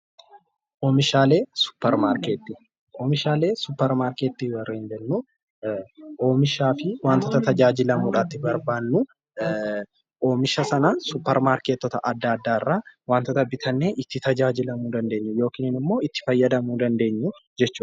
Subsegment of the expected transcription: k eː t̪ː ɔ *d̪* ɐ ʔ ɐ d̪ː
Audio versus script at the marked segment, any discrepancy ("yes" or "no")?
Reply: yes